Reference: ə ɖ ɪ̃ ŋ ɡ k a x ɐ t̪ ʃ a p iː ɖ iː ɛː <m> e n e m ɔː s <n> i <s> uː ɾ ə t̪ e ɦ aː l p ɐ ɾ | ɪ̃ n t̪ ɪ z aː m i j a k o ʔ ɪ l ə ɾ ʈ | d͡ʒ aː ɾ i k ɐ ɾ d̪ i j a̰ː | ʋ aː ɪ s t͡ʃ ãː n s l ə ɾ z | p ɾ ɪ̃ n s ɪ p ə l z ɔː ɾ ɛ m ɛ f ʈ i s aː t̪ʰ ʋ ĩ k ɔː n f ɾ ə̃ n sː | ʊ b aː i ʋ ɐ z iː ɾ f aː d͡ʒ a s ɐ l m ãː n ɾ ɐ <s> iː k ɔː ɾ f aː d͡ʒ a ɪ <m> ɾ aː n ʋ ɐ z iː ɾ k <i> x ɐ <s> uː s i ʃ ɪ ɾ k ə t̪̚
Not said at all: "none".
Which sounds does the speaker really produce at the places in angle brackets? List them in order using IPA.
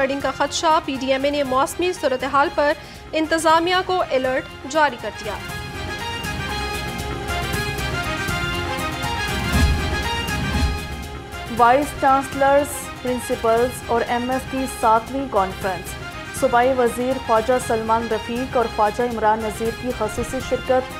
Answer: m, m, s, f, m, i, s

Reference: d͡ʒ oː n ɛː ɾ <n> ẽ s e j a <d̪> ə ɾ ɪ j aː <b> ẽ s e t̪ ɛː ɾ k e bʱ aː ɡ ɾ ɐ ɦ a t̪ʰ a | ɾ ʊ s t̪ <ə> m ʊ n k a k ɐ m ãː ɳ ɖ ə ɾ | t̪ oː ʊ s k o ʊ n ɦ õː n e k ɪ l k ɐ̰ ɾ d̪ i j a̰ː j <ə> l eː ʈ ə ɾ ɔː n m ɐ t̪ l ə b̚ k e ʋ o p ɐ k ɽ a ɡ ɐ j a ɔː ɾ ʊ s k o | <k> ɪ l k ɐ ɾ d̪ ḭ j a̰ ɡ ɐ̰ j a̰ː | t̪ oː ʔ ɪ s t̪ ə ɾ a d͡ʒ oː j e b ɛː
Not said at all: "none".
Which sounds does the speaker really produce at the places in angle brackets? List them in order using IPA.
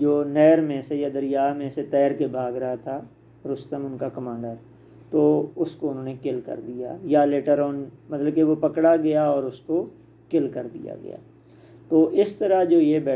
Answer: m, d̪, m, ə, a, k

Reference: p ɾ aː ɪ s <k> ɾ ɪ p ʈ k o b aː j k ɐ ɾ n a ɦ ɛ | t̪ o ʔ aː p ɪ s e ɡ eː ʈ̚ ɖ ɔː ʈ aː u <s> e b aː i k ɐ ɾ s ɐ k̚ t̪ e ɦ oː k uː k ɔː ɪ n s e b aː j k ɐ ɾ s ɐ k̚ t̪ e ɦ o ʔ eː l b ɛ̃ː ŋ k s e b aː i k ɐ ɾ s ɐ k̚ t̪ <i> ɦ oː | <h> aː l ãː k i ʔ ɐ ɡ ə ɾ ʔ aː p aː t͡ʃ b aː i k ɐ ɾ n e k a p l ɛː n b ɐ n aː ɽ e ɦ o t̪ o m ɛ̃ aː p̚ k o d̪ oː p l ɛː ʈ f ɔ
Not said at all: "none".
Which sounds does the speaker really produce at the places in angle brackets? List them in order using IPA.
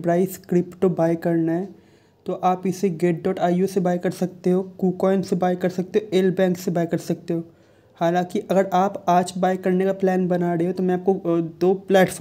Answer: k, s, e, h

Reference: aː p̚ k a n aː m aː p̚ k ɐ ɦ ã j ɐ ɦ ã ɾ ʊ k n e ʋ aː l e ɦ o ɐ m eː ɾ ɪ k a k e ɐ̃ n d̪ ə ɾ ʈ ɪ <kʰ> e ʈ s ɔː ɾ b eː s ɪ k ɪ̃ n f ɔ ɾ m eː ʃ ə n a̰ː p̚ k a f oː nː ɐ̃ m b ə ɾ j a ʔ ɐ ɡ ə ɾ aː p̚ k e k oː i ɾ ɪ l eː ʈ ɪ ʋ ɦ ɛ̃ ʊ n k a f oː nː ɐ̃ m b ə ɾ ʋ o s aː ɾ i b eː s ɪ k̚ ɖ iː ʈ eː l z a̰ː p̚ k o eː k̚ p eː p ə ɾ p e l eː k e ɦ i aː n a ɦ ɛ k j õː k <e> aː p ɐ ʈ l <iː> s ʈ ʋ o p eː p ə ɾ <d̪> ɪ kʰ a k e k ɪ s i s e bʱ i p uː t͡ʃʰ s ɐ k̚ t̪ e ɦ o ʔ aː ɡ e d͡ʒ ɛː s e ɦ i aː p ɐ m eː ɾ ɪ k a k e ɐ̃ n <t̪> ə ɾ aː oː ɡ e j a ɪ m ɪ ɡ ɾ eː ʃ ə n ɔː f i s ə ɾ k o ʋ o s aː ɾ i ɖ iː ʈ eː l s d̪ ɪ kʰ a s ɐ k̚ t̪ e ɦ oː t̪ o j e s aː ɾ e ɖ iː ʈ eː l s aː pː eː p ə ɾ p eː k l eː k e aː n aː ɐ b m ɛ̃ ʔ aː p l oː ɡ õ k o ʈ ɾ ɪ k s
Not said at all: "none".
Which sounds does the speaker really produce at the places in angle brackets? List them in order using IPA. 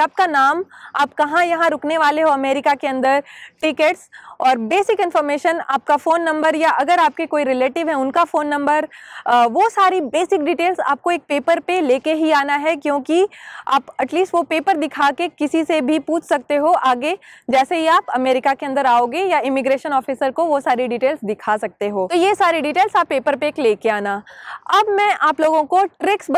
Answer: k, i, iː, d̪, d̪

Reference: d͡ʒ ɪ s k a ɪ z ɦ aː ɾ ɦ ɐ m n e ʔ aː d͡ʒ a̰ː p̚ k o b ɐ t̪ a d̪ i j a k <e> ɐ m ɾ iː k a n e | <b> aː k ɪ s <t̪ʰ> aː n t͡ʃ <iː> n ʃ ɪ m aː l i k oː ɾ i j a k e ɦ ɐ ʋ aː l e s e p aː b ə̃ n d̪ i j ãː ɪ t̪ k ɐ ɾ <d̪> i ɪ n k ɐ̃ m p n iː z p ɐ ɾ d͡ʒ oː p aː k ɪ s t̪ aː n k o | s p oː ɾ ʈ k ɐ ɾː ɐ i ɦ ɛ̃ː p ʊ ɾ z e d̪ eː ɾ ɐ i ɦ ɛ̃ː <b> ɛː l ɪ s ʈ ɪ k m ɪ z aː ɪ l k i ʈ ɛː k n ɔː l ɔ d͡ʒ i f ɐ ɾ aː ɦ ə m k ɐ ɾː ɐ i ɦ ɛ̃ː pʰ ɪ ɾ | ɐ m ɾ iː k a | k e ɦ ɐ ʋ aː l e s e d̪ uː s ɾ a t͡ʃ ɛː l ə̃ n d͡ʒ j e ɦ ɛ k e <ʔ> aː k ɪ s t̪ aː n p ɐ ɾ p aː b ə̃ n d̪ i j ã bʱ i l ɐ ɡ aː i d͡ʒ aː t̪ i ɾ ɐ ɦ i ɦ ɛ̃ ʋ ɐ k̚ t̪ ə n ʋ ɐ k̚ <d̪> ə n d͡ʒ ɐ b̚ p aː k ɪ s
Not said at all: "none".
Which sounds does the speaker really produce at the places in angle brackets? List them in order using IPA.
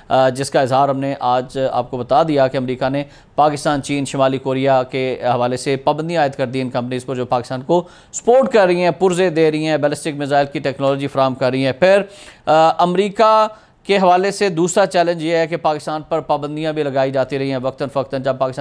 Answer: e, p, t̪, iː, d̪, b, p, t̪

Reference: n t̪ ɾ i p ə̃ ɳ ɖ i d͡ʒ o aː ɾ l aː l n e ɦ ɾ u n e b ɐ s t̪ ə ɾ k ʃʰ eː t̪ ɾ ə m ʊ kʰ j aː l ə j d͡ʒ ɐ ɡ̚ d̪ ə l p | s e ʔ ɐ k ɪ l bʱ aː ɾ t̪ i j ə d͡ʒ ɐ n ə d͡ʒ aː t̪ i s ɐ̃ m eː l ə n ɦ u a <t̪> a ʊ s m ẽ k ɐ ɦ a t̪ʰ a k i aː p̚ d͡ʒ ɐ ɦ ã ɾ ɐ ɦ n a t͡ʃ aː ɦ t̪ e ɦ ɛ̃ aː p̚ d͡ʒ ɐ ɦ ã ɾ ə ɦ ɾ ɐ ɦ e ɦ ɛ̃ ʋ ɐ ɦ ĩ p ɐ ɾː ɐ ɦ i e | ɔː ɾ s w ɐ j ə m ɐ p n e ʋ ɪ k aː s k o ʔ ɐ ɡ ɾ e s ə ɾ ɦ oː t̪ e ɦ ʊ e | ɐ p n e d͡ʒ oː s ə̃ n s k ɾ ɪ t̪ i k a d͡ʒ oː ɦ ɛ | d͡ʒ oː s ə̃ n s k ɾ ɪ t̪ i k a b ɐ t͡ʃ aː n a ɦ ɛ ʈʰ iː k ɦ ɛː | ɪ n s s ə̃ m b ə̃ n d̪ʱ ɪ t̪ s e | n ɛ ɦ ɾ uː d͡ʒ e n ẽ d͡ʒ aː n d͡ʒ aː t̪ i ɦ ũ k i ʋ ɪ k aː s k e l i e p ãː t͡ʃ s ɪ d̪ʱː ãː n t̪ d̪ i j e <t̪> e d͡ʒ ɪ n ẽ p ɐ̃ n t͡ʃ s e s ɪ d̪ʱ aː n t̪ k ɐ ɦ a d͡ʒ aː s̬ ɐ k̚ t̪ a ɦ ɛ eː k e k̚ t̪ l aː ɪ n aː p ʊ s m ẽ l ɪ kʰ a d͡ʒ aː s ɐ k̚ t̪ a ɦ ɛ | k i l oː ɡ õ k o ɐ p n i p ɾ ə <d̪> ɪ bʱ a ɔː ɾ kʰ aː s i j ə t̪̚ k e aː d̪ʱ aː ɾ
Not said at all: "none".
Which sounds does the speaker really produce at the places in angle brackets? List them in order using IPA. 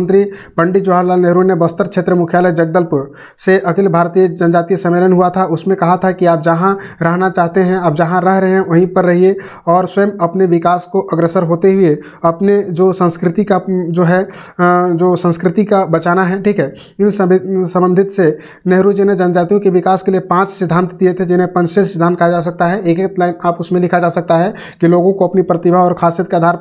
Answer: t̪ʰ, t̪ʰ, t̪

